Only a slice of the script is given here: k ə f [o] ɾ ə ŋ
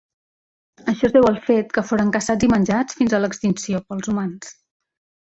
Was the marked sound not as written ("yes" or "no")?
no